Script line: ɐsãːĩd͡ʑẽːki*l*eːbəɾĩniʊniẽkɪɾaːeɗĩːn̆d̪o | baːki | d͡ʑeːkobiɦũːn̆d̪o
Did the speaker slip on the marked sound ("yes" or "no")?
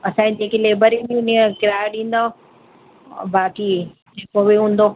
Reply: no